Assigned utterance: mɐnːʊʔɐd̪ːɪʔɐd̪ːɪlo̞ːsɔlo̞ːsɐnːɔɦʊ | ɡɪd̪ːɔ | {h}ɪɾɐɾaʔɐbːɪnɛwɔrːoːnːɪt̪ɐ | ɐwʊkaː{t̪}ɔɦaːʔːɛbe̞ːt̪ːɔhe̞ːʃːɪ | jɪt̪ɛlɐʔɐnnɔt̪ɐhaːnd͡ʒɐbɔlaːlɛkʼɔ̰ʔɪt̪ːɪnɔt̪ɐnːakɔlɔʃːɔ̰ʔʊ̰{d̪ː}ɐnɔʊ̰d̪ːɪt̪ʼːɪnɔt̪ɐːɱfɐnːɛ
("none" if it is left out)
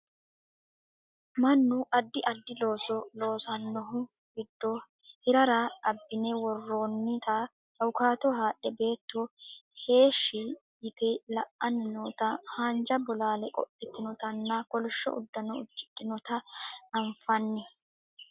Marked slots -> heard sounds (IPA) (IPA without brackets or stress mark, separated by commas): h, t̪, d̪ː